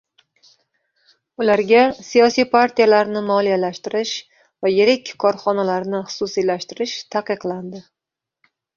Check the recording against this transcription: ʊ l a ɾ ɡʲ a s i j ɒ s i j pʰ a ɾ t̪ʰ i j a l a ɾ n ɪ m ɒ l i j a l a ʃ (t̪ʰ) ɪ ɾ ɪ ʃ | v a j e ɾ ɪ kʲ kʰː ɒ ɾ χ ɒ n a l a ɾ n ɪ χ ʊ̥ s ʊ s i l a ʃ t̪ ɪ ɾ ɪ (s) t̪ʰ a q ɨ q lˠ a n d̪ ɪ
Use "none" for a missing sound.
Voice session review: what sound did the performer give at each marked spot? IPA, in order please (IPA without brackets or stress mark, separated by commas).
t̪, ʃ